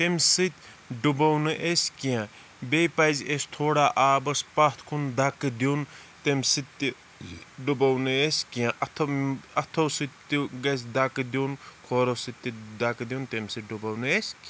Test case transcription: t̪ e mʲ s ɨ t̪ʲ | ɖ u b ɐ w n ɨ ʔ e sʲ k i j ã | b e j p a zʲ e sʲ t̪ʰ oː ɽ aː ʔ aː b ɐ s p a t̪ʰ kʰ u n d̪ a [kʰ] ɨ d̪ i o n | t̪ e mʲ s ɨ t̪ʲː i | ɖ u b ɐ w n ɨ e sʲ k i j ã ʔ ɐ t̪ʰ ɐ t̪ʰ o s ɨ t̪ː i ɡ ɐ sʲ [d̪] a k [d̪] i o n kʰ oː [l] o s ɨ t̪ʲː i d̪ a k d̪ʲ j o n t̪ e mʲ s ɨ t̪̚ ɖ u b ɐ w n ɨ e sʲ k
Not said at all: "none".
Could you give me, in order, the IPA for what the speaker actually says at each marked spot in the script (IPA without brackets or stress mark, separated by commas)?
k, d̪, d̪, ɾ